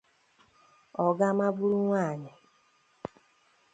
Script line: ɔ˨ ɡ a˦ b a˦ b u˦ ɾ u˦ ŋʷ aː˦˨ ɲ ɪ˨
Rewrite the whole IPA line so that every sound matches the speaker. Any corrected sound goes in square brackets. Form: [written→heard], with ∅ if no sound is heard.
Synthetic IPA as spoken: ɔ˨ ɡ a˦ [b→m] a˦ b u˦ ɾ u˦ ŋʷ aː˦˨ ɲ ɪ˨